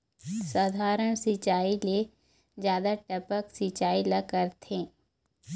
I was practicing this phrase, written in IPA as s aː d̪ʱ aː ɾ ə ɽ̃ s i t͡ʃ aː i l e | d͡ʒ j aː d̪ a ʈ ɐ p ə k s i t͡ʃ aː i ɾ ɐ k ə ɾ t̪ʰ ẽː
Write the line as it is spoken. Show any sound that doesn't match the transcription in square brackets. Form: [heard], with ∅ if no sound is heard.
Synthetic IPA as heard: s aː d̪ʱ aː ɾ ə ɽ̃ s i t͡ʃ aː i l e | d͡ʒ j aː d̪ a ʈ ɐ p ə k s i t͡ʃ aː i [l] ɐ k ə ɾ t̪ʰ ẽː